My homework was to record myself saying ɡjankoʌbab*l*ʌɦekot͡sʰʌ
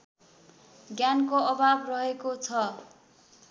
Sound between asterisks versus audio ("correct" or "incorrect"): incorrect